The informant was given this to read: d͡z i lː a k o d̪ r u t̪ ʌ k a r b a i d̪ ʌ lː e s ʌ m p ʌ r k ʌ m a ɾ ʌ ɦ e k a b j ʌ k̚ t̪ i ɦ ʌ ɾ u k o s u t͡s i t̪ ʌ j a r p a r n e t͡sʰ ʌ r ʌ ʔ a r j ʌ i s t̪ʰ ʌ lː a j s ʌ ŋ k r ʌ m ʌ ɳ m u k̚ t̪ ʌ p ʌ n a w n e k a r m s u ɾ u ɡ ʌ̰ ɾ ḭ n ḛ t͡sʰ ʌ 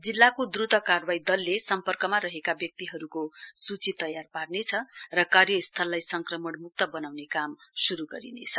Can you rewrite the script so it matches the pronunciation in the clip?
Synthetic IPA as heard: d͡z i lː a k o d̪ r u t̪ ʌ k a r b a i d̪ ʌ lː e s ʌ m p ʌ r k ʌ m a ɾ ʌ ɦ e k a b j ʌ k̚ t̪ i ɦ ʌ ɾ u k o s u t͡s i t̪ ʌ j a r p a r n e t͡sʰ ʌ r ʌ k a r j ʌ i s t̪ʰ ʌ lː a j s ʌ ŋ k r ʌ m ʌ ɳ m u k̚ t̪ ʌ b ʌ n a w n e k a m s u ɾ u ɡ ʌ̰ ɾ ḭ n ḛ t͡sʰ ʌ